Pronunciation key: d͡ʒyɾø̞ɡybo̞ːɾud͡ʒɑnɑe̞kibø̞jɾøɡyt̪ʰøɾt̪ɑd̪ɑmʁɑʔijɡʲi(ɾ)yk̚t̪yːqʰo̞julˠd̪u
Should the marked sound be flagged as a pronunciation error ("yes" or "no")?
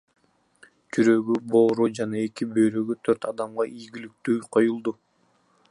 yes